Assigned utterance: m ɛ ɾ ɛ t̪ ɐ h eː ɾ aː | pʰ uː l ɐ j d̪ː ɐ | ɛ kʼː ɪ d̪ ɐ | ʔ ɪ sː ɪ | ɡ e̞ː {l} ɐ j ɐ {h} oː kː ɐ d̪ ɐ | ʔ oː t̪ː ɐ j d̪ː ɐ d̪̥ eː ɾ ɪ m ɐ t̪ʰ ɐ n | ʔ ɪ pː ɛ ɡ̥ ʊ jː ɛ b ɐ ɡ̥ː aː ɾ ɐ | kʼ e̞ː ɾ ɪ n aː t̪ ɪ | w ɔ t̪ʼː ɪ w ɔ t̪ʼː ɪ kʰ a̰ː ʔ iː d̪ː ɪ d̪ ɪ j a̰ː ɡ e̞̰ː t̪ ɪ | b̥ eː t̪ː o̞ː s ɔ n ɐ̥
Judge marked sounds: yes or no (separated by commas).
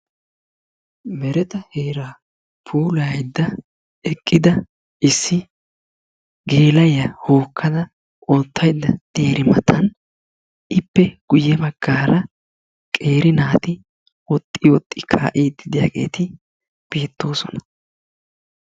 yes, yes